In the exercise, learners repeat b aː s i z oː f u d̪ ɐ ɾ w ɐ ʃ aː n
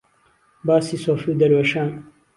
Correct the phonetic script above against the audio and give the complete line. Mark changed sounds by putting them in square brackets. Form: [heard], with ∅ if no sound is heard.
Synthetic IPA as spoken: b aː s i [s] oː f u d̪ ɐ ɾ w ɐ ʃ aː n

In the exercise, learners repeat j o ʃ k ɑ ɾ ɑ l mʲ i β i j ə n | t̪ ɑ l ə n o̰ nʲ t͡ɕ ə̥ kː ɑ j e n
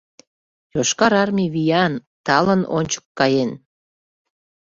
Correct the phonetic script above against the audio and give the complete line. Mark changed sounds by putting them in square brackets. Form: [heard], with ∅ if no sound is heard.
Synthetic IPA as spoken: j o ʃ k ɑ ɾ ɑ [r] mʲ i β i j [ɑ] n | t̪ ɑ l ə n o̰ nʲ t͡ɕ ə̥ kː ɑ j e n

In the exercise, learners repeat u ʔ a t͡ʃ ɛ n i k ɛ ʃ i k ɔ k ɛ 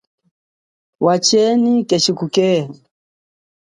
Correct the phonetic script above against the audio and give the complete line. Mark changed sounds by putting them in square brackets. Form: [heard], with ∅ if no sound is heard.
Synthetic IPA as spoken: [w] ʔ a t͡ʃ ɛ n i k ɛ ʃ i k [u] k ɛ

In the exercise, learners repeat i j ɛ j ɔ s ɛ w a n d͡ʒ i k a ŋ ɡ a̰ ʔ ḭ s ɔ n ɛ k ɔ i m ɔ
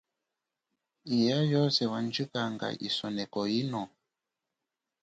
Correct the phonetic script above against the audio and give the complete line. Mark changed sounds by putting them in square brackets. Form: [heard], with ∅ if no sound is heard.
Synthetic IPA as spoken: i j [a] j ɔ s ɛ w a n d͡ʒ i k a ŋ ɡ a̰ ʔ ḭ s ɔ n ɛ k ɔ i [n] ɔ

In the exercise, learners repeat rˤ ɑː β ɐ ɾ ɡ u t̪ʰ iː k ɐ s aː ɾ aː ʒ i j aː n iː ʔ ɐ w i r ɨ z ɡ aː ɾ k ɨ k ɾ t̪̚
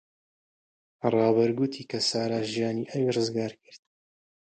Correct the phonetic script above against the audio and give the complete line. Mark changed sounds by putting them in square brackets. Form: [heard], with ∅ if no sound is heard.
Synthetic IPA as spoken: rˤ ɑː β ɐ ɾ ɡ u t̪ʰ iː k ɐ s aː ɾ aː ʒ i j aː n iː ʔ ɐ w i r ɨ z ɡ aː ɾ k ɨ [∅] ɾ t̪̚

